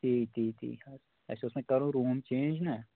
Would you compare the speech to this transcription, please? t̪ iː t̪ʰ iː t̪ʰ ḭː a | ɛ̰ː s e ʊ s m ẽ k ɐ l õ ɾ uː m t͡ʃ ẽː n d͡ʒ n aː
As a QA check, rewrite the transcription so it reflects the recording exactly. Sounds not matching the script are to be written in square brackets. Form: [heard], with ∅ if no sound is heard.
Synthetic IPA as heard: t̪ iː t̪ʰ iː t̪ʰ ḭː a | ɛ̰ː s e ʊ s m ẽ k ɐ [ɾ] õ ɾ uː m t͡ʃ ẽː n d͡ʒ n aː